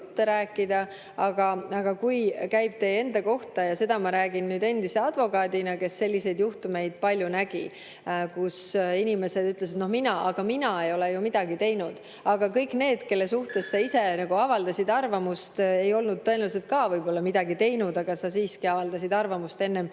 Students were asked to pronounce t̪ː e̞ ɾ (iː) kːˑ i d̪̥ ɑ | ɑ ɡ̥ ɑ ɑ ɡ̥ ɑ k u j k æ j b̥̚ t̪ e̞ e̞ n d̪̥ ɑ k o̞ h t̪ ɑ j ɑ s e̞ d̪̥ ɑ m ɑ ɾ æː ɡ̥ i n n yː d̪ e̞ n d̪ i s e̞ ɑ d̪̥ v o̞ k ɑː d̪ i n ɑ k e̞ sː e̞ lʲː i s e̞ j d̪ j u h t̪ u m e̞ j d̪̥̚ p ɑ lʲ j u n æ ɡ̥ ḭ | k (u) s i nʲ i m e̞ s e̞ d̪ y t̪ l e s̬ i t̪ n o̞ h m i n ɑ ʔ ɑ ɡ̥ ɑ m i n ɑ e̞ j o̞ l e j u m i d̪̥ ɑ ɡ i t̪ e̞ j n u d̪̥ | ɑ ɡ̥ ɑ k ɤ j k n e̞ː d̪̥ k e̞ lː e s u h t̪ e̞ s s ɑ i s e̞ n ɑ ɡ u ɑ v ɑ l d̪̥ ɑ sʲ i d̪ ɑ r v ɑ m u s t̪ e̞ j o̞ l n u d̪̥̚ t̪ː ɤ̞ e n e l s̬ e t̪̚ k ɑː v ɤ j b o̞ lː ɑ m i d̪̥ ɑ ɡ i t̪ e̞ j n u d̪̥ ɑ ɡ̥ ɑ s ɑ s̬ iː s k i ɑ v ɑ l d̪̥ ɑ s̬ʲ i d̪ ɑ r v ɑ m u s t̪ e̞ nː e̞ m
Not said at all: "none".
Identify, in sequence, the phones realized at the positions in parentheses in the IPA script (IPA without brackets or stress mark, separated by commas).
æː, u